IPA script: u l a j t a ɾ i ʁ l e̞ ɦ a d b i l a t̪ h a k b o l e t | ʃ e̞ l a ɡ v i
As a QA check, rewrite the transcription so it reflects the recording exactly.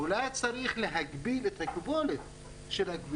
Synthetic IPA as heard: u l a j t͡s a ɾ i χ l e̞ ɦ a ɡ b i l e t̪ h a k b o l e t | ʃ e̞ l a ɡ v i